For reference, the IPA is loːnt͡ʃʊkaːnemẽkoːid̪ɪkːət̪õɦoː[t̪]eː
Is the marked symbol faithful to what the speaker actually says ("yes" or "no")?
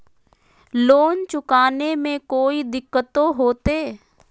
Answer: yes